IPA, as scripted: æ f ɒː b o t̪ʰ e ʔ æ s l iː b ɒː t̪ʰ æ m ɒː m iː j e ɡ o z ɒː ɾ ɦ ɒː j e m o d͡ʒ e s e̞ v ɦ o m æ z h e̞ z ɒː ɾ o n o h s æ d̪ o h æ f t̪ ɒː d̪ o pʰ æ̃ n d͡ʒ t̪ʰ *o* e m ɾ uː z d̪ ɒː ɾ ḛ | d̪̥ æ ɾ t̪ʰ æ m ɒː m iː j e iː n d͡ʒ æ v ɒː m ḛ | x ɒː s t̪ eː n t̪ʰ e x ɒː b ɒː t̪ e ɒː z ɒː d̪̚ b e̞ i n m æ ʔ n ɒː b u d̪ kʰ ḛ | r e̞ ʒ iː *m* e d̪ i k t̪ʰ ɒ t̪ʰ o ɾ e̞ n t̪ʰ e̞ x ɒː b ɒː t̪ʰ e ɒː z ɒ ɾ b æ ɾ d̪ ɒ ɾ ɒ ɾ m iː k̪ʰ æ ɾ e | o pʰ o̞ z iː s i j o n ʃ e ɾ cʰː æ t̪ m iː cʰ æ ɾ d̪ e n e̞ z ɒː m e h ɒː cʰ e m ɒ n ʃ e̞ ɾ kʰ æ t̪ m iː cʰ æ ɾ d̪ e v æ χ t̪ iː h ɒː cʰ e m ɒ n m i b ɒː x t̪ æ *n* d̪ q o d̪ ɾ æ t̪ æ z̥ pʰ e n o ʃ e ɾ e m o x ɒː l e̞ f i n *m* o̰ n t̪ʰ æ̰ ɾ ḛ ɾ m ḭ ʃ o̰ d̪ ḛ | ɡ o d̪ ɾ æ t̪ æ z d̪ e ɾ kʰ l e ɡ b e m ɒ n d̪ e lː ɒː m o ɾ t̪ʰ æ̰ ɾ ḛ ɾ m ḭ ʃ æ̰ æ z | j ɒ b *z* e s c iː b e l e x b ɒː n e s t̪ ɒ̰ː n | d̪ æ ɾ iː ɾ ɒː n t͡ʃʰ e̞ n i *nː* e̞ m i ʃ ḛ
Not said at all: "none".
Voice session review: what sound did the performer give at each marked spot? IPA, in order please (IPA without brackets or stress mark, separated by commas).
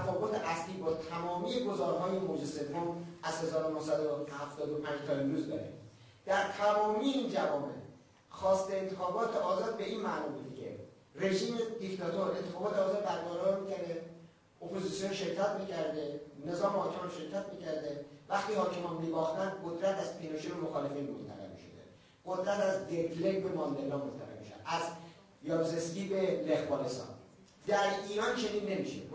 ɒ, m, n, m, z, nː